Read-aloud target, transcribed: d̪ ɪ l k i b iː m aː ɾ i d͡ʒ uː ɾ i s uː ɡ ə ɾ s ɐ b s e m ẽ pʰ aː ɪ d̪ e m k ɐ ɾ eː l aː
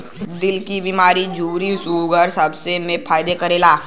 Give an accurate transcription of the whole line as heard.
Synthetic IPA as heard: d̪ ɪ l k i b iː m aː ɾ i d͡ʒ uː ɾ i s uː ɡ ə ɾ s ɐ b s e m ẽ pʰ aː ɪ d̪ e k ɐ ɾ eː l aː

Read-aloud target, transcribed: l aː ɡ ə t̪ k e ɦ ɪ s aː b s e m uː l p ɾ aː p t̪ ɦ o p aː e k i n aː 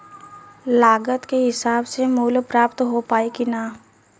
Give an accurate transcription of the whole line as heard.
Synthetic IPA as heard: l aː ɡ ə t̪ k e ɦ ɪ s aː b s e m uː l p ɾ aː p t̪ ɦ o p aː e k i n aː

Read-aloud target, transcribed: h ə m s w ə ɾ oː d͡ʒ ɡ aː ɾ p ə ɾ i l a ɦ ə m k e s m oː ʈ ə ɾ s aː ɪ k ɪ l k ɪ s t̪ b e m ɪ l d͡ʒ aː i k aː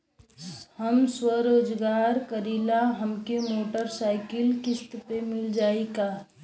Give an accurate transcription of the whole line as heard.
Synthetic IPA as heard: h ə m s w ə ɾ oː d͡ʒ ɡ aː ɾ k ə ɾ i l a ɦ ə m k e m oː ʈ ə ɾ s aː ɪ k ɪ l k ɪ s t̪ p e m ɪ l d͡ʒ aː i k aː

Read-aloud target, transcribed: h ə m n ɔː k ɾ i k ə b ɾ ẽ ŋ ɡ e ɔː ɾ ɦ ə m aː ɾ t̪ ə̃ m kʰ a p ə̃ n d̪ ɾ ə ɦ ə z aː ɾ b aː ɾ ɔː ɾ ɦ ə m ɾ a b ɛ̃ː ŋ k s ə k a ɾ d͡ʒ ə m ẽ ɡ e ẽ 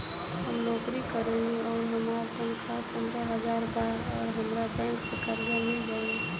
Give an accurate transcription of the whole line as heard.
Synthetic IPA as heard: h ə m n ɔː k ɾ i k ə ɾ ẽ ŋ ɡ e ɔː ɾ ɦ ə m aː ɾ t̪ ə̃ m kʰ a p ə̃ n d̪ ɾ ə ɦ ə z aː ɾ b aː ɾ ɔː ɾ ɦ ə m ɾ a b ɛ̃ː ŋ k s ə k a ɾ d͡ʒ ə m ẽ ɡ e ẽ

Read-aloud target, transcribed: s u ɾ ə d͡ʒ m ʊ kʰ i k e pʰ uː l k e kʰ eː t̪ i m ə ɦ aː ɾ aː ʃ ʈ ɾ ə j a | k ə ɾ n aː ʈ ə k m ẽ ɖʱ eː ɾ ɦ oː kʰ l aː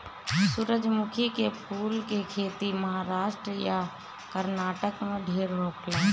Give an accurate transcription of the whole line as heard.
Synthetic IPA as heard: s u ɾ ə d͡ʒ m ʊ kʰ i k e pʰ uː l k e kʰ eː t̪ i m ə ɦ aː ɾ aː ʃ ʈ ɾ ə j a | k ə ɾ n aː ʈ ə k m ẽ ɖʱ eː ɾ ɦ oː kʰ l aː

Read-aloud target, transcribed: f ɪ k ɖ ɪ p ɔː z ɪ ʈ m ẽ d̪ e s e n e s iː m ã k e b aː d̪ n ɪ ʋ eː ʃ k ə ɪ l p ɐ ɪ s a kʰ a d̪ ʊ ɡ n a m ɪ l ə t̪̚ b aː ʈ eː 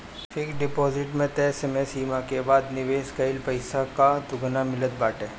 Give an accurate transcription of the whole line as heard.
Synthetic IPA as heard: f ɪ k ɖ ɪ p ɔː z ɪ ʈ m ẽ t̪ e s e m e s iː m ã k e b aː d̪ n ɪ ʋ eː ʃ k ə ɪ l p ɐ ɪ s a k a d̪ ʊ ɡ n a m ɪ l ə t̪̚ b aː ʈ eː

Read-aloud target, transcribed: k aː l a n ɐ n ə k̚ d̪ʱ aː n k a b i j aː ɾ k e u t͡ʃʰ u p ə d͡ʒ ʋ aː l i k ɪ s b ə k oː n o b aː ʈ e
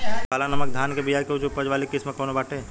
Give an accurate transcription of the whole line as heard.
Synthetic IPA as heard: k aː l a n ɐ m ə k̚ d̪ʱ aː n k e b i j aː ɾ k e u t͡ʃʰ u p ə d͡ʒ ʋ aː l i k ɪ s m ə k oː n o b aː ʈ e

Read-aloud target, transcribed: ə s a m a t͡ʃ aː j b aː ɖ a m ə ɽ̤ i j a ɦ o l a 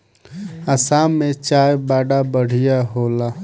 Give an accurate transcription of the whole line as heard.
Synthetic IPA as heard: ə s a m e t͡ʃ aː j b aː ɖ a b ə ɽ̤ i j a ɦ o l a

